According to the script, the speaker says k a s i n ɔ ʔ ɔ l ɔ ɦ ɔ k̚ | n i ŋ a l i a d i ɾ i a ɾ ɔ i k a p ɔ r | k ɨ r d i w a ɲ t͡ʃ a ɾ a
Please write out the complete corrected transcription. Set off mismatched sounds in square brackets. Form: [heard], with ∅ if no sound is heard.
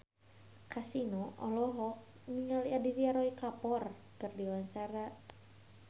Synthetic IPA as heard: k a s i n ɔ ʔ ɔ l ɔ ɦ ɔ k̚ | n i ŋ a l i a d i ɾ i a ɾ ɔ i k a p ɔ r | k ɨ r d i w a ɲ t͡ʃ a ɾ a